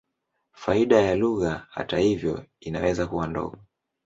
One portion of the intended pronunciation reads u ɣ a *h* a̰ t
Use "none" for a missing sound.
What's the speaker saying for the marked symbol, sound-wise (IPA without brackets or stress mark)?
h